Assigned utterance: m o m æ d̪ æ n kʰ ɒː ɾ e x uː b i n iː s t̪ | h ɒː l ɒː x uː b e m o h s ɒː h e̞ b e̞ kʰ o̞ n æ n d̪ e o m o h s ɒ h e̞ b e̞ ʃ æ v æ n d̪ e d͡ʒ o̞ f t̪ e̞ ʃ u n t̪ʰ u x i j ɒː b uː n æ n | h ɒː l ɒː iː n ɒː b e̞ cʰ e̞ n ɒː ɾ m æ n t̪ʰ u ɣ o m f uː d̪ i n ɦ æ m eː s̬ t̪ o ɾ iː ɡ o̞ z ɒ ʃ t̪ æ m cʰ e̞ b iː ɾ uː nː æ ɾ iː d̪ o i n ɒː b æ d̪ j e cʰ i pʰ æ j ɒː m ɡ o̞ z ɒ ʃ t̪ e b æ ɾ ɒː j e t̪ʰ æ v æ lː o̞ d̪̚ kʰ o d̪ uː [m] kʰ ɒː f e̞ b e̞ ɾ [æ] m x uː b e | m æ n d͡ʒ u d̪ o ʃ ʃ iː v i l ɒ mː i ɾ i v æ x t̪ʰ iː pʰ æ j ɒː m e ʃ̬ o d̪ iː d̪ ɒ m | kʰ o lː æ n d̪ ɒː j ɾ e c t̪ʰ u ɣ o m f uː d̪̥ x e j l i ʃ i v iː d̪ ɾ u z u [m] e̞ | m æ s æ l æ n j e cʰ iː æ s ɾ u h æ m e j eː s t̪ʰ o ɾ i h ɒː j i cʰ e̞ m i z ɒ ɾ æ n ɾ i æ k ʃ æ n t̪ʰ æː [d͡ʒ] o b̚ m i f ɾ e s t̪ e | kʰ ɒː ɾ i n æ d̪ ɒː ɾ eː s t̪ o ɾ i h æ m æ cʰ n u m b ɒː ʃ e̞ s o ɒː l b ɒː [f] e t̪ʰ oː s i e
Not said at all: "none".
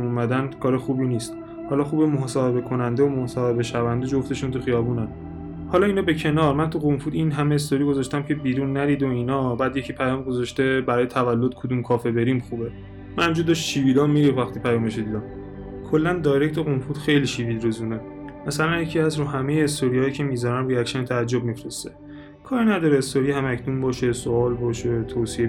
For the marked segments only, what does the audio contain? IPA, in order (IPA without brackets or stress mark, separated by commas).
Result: m, i, n, d͡ʒː, ʃ